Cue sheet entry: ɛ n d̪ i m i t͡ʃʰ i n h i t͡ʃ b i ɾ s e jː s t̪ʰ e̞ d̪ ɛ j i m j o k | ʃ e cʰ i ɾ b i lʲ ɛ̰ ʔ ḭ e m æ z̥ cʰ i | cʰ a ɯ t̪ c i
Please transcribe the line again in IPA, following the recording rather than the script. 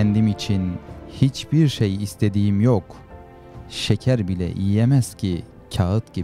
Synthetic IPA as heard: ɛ n d̪ i m i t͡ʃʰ i n h i t͡ʃ b i ɾ ʃ e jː s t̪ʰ e̞ d̪ i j i m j o k | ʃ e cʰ æ ɾ b i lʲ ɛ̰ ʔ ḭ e m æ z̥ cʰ i | cʰ a ɯ t̪ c i